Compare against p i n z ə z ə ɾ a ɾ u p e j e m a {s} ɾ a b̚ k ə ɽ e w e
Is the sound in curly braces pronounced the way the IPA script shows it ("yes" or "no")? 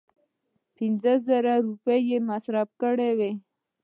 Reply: yes